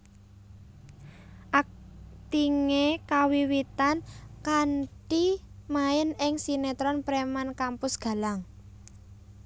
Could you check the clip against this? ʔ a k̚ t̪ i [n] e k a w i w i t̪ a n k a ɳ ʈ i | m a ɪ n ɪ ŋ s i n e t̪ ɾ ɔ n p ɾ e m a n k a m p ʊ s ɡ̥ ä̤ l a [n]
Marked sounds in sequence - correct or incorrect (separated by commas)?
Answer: incorrect, incorrect